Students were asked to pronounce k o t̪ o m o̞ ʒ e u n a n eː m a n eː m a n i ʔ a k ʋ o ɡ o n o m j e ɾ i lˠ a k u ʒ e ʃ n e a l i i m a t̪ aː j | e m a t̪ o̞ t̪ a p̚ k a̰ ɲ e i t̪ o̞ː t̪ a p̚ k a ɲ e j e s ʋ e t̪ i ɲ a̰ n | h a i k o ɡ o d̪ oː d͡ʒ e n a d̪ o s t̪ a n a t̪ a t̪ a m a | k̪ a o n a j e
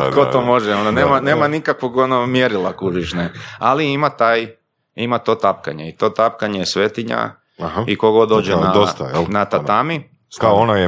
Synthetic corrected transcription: k o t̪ o m o̞ ʒ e o n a n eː m a n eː m a n i k a k ʋ o ɡ o n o m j e ɾ i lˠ a k u ʒ i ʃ n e a l i i m a t̪ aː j | i m a t̪ o̞ t̪ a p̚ k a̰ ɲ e i t̪ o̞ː t̪ a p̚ k a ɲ e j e s ʋ e t̪ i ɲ a̰ | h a i k o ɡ o d̪ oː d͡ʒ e n a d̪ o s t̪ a n a t̪ a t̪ a m i | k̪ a o n a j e